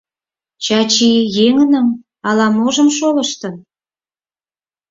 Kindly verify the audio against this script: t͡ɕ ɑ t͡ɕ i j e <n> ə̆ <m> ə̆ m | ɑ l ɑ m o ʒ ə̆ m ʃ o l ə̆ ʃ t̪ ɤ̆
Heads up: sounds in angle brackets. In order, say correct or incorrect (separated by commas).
incorrect, incorrect